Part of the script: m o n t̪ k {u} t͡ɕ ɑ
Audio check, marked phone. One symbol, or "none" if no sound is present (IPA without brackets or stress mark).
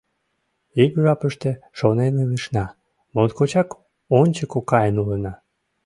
o